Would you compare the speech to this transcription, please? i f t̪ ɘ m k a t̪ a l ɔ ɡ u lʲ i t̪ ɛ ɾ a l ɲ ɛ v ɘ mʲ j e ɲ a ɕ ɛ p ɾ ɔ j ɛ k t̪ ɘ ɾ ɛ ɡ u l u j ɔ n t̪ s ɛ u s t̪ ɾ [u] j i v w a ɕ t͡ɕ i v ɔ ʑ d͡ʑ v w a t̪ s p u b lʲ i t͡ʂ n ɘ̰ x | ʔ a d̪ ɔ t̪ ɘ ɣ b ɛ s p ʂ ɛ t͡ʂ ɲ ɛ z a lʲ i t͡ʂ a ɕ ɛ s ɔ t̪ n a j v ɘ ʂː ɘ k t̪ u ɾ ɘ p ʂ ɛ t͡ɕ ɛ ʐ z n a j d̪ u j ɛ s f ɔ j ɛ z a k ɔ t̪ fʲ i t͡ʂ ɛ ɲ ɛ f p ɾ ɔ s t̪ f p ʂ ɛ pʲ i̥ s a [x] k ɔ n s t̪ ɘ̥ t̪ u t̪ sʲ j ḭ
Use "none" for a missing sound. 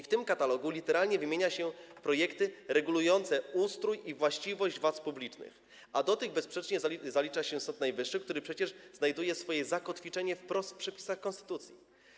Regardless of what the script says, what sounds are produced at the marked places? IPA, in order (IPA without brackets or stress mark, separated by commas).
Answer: u, x